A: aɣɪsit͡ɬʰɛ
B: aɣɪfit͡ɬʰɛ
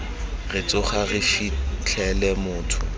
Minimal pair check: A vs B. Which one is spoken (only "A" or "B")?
B